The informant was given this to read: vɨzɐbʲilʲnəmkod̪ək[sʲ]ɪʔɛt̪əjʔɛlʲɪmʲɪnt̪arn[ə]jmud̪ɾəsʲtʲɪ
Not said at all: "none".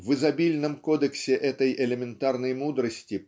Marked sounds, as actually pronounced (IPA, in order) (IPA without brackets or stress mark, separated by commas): sʲ, ə